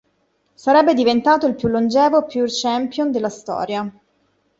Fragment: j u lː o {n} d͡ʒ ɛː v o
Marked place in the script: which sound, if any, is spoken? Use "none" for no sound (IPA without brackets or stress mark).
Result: n